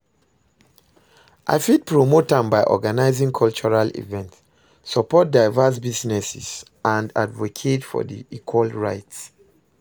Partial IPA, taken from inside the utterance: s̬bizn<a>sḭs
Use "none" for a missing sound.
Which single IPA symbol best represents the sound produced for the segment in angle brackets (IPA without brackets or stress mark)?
ɛ